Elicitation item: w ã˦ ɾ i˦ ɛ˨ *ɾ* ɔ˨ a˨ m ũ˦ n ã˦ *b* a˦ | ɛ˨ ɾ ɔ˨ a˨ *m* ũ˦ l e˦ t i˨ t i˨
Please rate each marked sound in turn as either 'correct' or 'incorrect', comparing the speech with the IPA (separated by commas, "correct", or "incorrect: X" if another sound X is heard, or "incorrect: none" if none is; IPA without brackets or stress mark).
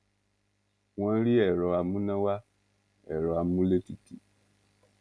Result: correct, incorrect: w, correct